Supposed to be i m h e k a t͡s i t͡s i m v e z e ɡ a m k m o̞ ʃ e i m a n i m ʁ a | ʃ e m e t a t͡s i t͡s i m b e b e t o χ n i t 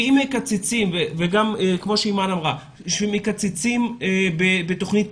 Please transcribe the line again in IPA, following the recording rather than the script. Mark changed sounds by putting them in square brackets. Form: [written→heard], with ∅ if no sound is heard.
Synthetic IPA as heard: i m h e k a t͡s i t͡s i m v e [z→v] e ɡ a m k m o̞ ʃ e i m a n [i→a] m ʁ a | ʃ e m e [t→k] a t͡s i t͡s i m b e b e t o χ n i t